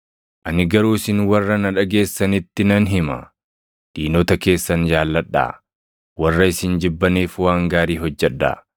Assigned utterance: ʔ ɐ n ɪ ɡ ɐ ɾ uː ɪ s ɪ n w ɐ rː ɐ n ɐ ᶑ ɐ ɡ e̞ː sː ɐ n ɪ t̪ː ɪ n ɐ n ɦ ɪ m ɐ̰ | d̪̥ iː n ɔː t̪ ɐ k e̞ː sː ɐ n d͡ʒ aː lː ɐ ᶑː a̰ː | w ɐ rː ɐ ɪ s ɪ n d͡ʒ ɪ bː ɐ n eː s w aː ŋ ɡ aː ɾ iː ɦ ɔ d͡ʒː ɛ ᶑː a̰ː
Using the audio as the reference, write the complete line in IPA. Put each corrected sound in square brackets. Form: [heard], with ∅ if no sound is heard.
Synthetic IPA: ʔ ɐ n ɪ ɡ ɐ ɾ uː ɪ s ɪ n w ɐ rː ɐ n ɐ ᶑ ɐ ɡ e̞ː sː ɐ n ɪ t̪ː ɪ n ɐ n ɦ ɪ m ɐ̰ | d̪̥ iː n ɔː t̪ ɐ k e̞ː sː ɐ n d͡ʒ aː lː ɐ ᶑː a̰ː | w ɐ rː ɐ ɪ s ɪ n d͡ʒ ɪ bː ɐ n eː [f] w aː ŋ ɡ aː ɾ iː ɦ ɔ d͡ʒː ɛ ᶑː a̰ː